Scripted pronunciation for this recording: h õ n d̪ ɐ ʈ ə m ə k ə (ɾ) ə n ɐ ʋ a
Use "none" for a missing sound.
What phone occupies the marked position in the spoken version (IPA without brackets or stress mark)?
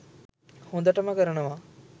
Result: ɾ